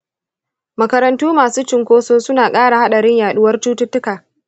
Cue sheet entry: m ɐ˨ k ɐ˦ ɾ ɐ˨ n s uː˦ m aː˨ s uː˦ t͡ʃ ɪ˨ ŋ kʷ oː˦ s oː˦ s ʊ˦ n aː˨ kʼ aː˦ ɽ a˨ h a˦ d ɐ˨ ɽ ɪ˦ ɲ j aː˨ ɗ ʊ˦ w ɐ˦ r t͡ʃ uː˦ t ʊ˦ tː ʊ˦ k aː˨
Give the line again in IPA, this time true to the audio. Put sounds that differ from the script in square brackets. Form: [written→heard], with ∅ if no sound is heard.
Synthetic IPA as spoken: m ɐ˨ k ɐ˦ ɾ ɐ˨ n [s→t] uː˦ m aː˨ s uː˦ t͡ʃ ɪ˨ ŋ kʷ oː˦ s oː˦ s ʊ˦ n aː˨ kʼ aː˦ ɽ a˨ h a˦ [d→ɗ] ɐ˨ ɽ ɪ˦ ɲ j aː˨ ɗ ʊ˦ w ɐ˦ r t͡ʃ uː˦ t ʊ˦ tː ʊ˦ k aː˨